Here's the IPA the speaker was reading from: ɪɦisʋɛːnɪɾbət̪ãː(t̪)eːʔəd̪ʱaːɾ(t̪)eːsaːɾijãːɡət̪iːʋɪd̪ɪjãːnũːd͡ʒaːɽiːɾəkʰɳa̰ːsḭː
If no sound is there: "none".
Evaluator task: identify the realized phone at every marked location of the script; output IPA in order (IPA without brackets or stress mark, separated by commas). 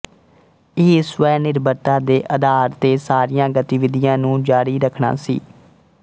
d̪, t̪